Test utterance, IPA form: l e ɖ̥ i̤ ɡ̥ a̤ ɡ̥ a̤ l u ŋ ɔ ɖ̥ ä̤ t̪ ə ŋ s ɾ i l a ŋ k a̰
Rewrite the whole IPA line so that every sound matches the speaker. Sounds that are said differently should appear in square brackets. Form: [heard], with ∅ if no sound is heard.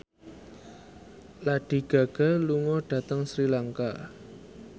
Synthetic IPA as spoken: l [a] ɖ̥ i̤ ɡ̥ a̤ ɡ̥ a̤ l u ŋ ɔ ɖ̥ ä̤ t̪ ə ŋ s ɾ i l a ŋ k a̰